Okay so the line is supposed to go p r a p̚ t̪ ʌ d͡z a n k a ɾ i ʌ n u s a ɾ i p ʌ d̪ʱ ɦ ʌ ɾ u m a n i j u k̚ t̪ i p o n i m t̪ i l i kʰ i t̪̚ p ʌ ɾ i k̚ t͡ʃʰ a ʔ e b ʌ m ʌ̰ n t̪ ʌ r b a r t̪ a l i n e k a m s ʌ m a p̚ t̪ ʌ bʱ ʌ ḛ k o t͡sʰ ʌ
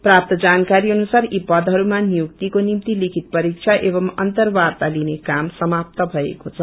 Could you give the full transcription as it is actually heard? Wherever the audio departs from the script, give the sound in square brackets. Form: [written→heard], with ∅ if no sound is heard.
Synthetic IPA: p r a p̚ t̪ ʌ d͡z a n k a ɾ i ʌ n u s a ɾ i p ʌ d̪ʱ ɦ ʌ ɾ u m a n i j u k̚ t̪ i [p→k] o n i m t̪ i l i kʰ i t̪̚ p ʌ ɾ i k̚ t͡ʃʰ a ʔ e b ʌ m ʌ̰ n t̪ ʌ r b a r t̪ a l i n e k a m s ʌ m a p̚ t̪ ʌ bʱ ʌ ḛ k o t͡sʰ ʌ